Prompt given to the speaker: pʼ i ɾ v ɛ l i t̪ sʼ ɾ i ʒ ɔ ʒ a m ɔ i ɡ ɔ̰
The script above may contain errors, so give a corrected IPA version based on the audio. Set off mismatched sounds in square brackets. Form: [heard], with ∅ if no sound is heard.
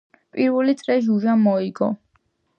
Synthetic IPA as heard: pʼ i ɾ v ɛ l i t̪ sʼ ɾ [ɛ] ʒ [u] ʒ a m ɔ i ɡ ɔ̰

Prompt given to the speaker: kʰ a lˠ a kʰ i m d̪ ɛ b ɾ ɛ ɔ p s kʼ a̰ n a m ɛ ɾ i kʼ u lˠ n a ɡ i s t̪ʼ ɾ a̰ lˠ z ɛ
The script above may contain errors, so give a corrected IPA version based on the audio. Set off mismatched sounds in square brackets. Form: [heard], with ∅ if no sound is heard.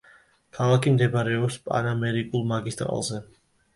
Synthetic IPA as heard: kʰ a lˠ a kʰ i m d̪ ɛ b ɾ ɛ ɔ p s [pʼ] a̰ n a m ɛ ɾ i kʼ u lˠ [m] a ɡ i s t̪ʼ ɾ a̰ lˠ z ɛ

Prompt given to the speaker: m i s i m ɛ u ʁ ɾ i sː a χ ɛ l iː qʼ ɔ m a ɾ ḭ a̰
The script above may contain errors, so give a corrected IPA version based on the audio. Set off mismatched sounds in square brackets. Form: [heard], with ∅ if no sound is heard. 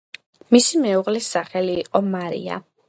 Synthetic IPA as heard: m i s i m ɛ u ʁ [l] i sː a χ ɛ l iː qʼ ɔ m a ɾ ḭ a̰

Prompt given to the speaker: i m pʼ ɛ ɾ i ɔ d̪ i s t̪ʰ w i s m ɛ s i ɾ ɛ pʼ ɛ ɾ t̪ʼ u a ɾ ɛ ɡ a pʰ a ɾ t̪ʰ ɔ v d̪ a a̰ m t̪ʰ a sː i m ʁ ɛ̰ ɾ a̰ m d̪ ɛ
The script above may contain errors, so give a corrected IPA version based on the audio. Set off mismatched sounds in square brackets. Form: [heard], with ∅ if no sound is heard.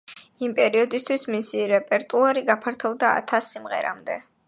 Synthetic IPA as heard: i m pʼ ɛ ɾ i ɔ d̪ i s t̪ʰ w i s m [i] s i ɾ ɛ pʼ ɛ ɾ t̪ʼ u a ɾ [i] ɡ a pʰ a ɾ t̪ʰ ɔ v d̪ a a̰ [∅] t̪ʰ a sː i m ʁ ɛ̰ ɾ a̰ m d̪ ɛ

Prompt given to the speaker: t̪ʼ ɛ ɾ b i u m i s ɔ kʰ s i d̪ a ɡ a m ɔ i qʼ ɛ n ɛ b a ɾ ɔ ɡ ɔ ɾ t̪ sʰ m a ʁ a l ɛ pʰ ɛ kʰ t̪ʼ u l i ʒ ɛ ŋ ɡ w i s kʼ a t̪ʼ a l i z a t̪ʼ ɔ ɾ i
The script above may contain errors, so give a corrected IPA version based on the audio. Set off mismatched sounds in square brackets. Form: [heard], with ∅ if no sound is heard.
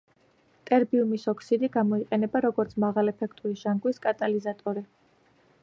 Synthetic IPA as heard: t̪ʼ ɛ ɾ b i u m i s ɔ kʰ s i d̪ [i] ɡ a m ɔ i qʼ ɛ n ɛ b a ɾ ɔ ɡ ɔ ɾ t̪ sʰ m a ʁ a l ɛ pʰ ɛ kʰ t̪ʼ u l i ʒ [a] ŋ ɡ w i s kʼ a t̪ʼ a l i z a t̪ʼ ɔ ɾ i

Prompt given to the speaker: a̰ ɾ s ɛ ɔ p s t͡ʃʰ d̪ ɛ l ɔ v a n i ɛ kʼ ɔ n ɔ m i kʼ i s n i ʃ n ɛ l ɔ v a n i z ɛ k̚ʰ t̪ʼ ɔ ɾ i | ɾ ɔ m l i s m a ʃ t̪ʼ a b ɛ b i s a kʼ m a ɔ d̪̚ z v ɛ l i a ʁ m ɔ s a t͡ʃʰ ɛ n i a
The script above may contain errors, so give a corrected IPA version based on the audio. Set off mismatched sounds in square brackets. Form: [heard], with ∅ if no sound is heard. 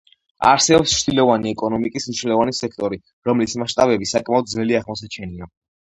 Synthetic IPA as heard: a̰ ɾ s ɛ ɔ p s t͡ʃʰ d̪ [i] l ɔ v a n i ɛ kʼ ɔ n ɔ m i kʼ i s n i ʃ n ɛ l ɔ v a n i [s] ɛ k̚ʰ t̪ʼ ɔ ɾ i | ɾ ɔ m l i s m a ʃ t̪ʼ a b ɛ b i s a kʼ m a ɔ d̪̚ z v ɛ l i a ʁ m ɔ s a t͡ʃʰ ɛ n i a

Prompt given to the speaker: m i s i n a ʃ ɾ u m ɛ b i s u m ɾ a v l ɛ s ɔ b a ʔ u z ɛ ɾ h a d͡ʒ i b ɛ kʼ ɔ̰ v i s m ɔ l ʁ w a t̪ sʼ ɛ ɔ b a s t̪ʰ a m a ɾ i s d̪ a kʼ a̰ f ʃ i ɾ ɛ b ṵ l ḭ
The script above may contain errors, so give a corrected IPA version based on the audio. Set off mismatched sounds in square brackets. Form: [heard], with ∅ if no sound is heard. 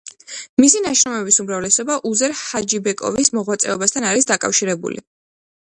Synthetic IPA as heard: m i s i n a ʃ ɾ [ɔ] m ɛ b i s u m ɾ a v l ɛ s ɔ b a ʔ u z ɛ ɾ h a d͡ʒ i b ɛ kʼ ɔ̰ v i s m ɔ [∅] ʁ w a t̪ sʼ ɛ ɔ b a s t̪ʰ a [n] a ɾ i s d̪ a kʼ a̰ f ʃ i ɾ ɛ b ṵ l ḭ

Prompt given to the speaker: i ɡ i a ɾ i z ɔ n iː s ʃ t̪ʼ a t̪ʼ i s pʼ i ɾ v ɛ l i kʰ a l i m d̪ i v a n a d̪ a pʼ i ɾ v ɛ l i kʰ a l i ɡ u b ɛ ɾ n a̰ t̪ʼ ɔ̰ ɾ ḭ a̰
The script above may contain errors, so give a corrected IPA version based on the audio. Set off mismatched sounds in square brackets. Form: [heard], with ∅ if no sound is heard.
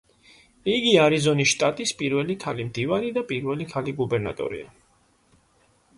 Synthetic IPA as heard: i ɡ i a ɾ i z ɔ n [i] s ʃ t̪ʼ a t̪ʼ i s pʼ i ɾ v ɛ l i kʰ a l i m d̪ i v a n [i] d̪ a pʼ i ɾ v ɛ l i kʰ a l i ɡ u b ɛ ɾ n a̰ t̪ʼ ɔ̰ ɾ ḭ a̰

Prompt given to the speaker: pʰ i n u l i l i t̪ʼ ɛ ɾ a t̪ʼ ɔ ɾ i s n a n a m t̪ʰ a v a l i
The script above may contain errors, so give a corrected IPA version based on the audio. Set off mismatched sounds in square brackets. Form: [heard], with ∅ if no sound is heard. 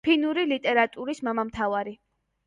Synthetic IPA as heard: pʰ i n u [ɾ] i l i t̪ʼ ɛ ɾ a t̪ʼ [u] ɾ i s [m] a [m] a m t̪ʰ a v a [ɾ] i

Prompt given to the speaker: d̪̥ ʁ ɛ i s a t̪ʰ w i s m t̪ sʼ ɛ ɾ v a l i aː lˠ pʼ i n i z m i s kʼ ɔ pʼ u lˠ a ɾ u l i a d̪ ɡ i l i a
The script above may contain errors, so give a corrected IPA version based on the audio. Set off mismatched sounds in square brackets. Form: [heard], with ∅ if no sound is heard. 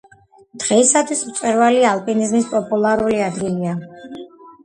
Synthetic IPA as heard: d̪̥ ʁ ɛ i s a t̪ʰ w i s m t̪ sʼ ɛ ɾ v a l i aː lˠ pʼ i n i z m i s [pʼ] ɔ pʼ u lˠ a ɾ u l i a d̪ ɡ i l i a

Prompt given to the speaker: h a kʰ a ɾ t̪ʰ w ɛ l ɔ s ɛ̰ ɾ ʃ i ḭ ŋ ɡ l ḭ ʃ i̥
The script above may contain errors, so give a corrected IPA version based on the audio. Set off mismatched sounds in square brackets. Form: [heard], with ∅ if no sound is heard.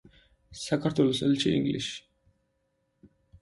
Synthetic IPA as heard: [s] a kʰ a ɾ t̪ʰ w ɛ l ɔ s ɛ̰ [l] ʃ i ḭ ŋ ɡ l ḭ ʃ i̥

